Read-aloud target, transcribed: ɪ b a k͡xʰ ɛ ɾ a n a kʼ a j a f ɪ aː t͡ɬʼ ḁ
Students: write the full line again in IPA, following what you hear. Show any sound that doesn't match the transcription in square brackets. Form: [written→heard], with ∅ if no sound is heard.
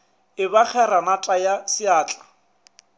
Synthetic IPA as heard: ɪ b a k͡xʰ ɛ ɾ a n a [kʼ→tʼ] a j a [f→s] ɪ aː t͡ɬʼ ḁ